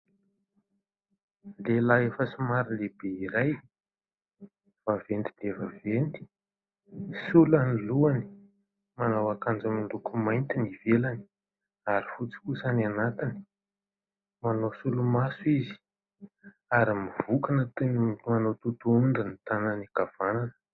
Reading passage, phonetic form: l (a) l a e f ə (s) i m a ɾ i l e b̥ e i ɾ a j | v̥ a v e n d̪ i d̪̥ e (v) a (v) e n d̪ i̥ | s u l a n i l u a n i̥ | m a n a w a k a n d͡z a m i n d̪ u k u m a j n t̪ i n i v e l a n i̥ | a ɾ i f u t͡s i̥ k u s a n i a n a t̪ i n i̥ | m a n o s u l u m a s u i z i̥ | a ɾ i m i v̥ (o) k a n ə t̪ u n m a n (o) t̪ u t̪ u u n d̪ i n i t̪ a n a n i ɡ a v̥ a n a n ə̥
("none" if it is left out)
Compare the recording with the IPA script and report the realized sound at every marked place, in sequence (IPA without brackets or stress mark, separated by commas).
e, s, v, v, u, o